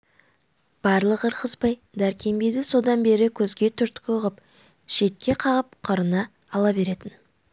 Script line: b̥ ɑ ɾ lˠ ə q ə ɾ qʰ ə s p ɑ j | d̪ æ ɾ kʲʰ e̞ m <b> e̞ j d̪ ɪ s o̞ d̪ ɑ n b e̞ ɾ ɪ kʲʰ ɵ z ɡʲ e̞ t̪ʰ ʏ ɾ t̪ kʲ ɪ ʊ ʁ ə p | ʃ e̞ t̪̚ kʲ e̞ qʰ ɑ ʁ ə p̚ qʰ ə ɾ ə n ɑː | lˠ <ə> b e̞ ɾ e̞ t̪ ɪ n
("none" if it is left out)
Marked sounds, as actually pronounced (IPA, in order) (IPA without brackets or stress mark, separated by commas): b, ɑ